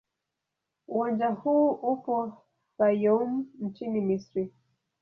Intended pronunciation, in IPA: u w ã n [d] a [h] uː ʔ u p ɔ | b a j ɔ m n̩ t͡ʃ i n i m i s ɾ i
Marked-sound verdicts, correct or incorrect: incorrect, correct

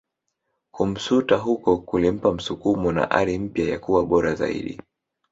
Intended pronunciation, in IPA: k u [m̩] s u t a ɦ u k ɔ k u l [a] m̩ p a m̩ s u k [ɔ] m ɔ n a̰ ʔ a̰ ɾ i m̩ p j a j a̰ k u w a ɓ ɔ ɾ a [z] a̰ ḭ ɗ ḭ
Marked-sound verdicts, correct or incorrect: correct, incorrect, incorrect, correct

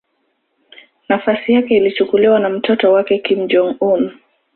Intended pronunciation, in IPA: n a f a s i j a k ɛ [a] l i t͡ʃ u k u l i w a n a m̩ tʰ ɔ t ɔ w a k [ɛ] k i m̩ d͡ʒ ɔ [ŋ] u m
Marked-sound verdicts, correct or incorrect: incorrect, correct, correct

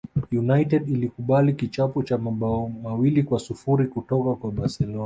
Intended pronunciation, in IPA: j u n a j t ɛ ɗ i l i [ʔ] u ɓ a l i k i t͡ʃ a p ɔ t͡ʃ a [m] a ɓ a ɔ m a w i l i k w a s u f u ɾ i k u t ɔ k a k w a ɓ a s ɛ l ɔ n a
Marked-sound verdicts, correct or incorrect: incorrect, correct

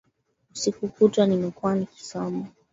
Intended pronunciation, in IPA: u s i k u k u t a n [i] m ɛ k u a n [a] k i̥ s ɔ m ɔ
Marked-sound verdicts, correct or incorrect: correct, incorrect

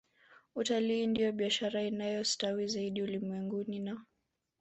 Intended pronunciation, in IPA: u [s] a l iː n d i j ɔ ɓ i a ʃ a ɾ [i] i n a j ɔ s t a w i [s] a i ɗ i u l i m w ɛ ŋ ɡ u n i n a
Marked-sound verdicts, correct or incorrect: incorrect, incorrect, incorrect

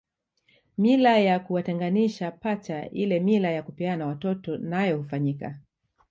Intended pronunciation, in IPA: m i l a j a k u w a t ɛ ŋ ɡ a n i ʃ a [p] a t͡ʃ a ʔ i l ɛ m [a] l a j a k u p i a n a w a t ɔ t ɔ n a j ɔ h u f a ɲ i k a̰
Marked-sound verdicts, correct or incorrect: correct, incorrect

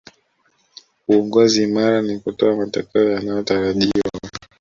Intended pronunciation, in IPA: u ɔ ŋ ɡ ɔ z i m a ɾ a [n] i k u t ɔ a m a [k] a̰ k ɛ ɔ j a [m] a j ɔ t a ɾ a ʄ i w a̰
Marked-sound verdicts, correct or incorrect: correct, incorrect, incorrect

